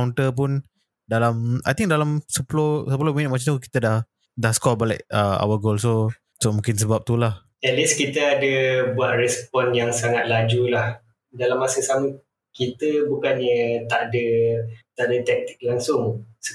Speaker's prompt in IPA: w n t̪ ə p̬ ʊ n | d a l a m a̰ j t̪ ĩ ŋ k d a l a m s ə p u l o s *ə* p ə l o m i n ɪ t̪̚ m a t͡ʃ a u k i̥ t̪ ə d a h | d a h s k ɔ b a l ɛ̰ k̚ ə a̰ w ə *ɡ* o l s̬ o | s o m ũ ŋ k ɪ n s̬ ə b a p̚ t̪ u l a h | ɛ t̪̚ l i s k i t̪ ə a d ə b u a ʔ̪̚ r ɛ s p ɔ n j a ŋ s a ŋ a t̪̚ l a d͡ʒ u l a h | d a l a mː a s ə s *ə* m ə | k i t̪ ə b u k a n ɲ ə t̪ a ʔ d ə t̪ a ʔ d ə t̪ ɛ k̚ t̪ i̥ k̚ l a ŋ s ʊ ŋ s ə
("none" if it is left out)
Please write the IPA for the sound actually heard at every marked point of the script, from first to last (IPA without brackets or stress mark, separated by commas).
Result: ə, ɡ, a